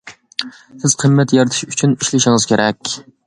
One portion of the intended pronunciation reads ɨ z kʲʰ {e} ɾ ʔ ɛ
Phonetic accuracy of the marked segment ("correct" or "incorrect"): correct